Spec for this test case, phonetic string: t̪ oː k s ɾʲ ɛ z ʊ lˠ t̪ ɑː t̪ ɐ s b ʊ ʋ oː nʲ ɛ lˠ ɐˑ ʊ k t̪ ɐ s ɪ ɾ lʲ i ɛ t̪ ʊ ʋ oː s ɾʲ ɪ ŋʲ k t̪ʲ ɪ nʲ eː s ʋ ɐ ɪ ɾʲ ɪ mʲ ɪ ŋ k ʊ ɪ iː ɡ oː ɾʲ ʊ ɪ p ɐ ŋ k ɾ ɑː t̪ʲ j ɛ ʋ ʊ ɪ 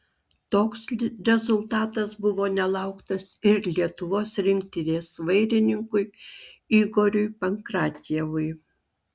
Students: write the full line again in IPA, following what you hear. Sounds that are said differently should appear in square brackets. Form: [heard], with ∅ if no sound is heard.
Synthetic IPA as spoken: t̪ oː k s ɾʲ ɛ z ʊ lˠ t̪ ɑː t̪ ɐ s b ʊ ʋ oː nʲ ɛ lˠ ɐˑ ʊ k t̪ ɐ s ɪ ɾ lʲ i ɛ t̪ ʊ ʋ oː s ɾʲ ɪ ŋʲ k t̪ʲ ɪ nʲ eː s ʋ ɐ ɪ ɾʲ ɪ [nʲ] ɪ ŋ k ʊ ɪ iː ɡ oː ɾʲ ʊ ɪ p ɐ ŋ k ɾ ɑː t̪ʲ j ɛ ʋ ʊ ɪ

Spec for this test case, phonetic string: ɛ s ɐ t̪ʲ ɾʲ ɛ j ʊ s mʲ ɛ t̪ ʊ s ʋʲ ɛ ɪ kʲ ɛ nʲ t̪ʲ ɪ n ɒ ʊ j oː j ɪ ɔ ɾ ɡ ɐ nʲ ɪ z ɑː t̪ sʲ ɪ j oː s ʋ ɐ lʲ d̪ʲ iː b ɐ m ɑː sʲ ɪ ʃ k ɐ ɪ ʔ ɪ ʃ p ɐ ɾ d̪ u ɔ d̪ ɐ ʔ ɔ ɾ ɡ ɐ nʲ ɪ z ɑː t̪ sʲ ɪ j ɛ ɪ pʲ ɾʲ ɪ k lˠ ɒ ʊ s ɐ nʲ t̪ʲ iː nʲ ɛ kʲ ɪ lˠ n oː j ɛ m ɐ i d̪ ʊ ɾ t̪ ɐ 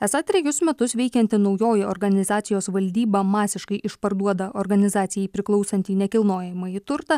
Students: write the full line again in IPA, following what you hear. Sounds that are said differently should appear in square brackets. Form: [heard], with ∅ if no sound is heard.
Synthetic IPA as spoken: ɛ s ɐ t̪ʲ ɾʲ ɛ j ʊ s mʲ ɛ t̪ ʊ s ʋʲ ɛ ɪ kʲ ɛ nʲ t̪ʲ ɪ n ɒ ʊ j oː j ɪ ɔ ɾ ɡ ɐ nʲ ɪ z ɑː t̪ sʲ ɪ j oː s ʋ ɐ lʲ d̪ʲ iː b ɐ m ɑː sʲ ɪ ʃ k ɐ ɪ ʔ ɪ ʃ p ɐ ɾ d̪ u ɔ d̪ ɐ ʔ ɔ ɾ ɡ ɐ nʲ ɪ z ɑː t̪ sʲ ɪ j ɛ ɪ pʲ ɾʲ ɪ k lˠ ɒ ʊ s ɐ nʲ t̪ʲ iː nʲ ɛ kʲ ɪ lˠ n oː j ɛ m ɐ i [t̪] ʊ ɾ t̪ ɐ

